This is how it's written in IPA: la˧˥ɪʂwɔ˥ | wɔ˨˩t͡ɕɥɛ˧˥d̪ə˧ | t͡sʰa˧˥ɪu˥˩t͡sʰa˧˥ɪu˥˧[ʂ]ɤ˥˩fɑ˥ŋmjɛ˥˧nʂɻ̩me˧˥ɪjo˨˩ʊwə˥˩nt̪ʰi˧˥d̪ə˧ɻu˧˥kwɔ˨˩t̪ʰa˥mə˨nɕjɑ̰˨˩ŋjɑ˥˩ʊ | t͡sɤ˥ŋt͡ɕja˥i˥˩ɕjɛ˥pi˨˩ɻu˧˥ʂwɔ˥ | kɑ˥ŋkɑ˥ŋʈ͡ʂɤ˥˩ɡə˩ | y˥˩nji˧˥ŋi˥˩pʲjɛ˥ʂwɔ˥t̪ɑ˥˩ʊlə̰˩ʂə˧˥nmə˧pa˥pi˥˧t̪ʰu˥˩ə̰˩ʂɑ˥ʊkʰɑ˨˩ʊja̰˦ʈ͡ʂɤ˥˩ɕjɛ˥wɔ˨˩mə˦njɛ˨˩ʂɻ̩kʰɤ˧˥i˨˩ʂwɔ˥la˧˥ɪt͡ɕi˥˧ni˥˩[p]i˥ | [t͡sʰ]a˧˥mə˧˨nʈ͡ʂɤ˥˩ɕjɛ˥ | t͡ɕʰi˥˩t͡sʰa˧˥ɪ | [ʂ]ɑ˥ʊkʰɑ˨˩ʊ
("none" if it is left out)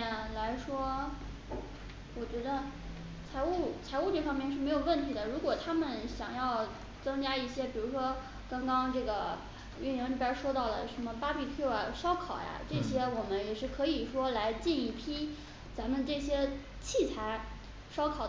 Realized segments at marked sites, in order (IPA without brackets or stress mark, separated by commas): ʈ͡ʂ, pʰ, t͡s, ʂ